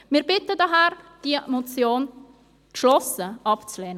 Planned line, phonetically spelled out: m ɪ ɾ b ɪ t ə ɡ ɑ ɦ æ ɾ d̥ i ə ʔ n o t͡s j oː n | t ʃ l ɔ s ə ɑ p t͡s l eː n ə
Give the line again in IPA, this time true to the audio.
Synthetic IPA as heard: m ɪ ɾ b ɪ t ə d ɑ ɦ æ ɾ d̥ i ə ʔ m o t͡s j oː n | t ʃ l ɔ s ə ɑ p t͡s l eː n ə